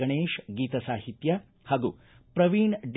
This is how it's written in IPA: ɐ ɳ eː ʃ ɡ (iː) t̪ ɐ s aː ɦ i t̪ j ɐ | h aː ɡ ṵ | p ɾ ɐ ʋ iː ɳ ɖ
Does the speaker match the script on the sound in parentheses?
yes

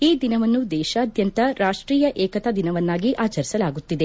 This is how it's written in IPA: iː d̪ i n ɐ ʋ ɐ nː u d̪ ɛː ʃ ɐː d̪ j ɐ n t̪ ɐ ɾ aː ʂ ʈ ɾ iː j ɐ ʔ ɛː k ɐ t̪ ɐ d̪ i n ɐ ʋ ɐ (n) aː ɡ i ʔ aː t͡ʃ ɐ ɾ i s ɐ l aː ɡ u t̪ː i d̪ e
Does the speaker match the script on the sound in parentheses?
no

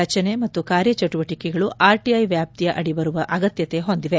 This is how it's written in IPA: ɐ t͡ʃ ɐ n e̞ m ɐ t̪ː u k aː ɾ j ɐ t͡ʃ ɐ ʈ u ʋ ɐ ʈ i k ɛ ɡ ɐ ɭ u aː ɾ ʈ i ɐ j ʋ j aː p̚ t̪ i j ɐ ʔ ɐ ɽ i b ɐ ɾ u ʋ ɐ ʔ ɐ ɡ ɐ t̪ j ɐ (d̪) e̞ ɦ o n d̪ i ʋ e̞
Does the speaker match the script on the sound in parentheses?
no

